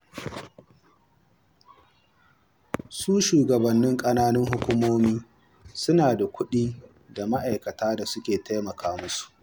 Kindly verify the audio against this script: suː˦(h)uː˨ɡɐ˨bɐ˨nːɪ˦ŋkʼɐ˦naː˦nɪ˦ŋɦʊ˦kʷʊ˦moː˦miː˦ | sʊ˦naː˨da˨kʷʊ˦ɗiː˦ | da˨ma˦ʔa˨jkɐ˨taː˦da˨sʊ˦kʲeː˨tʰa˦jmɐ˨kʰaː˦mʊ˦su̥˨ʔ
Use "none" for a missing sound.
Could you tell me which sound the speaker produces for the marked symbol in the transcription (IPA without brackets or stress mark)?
ʃ